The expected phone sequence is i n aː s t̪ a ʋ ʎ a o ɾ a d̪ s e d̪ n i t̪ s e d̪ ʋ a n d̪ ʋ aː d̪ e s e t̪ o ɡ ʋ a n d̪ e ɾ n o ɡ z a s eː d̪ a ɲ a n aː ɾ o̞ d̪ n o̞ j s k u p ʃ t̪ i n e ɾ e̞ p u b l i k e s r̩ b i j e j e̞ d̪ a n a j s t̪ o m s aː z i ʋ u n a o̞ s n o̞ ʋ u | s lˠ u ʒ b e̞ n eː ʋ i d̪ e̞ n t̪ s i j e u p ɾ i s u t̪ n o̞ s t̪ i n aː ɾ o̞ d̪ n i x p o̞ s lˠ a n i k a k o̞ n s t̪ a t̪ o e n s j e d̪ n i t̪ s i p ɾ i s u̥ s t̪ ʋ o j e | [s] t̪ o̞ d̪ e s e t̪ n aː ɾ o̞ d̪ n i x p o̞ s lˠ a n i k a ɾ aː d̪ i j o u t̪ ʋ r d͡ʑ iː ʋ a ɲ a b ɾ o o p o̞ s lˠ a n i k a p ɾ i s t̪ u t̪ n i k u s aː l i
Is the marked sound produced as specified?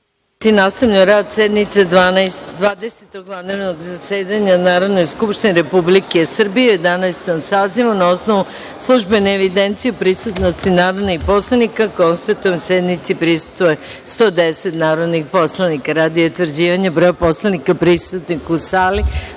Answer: yes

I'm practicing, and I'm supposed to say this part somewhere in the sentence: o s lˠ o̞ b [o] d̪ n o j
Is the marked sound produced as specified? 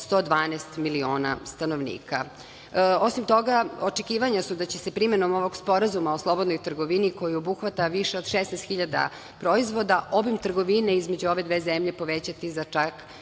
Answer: yes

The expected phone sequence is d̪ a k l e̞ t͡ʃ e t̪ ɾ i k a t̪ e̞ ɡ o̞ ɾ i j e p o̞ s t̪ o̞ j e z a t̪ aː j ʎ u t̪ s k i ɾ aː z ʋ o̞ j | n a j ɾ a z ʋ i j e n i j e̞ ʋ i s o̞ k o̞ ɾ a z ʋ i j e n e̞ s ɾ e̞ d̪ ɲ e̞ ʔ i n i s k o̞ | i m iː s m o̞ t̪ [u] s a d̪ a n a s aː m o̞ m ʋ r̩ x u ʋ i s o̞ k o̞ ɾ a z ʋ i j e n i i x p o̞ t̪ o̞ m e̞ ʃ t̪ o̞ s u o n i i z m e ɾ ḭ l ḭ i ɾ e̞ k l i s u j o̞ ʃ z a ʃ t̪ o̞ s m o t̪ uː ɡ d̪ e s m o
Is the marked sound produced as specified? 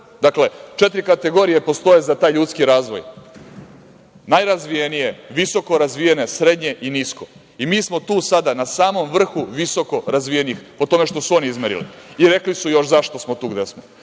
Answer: no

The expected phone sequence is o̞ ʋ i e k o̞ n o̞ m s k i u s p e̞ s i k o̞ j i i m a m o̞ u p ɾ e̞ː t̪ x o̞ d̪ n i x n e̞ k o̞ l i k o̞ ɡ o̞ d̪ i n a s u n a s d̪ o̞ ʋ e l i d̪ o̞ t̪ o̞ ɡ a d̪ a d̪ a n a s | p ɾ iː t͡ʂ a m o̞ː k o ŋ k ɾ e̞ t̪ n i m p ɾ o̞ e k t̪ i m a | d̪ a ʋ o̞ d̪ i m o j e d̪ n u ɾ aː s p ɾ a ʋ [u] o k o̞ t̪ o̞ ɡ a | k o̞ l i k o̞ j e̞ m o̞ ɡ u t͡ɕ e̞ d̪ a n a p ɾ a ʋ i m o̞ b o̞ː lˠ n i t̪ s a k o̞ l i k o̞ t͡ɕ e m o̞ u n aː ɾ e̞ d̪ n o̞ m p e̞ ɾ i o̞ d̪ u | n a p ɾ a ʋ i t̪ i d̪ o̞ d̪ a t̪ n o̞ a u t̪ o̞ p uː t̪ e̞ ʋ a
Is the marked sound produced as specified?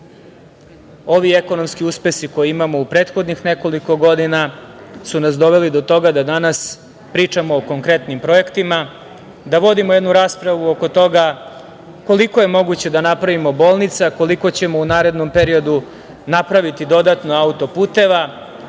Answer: yes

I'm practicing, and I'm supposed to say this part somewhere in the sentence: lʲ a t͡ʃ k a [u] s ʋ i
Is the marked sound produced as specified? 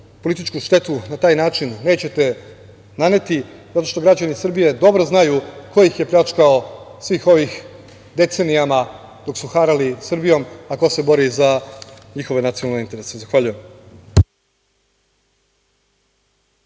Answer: no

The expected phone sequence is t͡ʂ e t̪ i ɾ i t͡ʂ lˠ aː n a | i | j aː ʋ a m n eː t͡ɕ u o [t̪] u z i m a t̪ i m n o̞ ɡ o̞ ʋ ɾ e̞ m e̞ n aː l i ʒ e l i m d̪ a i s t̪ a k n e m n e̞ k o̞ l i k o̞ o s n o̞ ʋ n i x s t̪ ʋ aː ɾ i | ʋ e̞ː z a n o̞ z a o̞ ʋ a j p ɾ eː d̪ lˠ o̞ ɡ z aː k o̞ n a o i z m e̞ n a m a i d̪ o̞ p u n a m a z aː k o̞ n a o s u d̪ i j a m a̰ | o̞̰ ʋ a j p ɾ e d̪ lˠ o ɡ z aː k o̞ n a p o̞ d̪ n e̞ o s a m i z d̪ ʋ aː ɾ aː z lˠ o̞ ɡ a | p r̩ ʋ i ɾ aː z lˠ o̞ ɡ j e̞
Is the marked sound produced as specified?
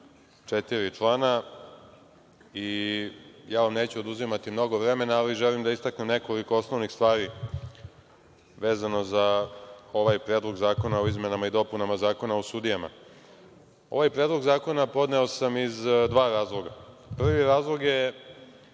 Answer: no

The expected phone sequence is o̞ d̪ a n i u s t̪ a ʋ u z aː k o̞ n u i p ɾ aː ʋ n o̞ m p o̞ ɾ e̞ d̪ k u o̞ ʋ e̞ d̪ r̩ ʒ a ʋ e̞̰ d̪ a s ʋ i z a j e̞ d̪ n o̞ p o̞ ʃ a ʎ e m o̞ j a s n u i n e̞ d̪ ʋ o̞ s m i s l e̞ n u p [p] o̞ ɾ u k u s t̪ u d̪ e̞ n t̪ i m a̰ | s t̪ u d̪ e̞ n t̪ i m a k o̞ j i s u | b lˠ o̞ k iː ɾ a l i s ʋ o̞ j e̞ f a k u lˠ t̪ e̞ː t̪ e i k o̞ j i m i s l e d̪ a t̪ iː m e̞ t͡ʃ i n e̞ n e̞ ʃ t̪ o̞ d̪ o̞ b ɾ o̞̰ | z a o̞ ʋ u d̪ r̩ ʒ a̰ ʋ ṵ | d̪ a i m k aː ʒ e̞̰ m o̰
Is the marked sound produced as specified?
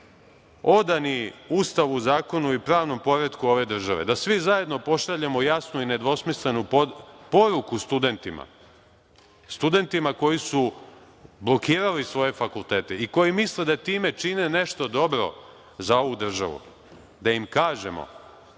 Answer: yes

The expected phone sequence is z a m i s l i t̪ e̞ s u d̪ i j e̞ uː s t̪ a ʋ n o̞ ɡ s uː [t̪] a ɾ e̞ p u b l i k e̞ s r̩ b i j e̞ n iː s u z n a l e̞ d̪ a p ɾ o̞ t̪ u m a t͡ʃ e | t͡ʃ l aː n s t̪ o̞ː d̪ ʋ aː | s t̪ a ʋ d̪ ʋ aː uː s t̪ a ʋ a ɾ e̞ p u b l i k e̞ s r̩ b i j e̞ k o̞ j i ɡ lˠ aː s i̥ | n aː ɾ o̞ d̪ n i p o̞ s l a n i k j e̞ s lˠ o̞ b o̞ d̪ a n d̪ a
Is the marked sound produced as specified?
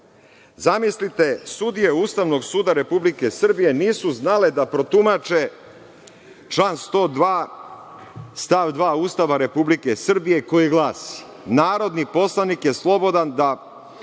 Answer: no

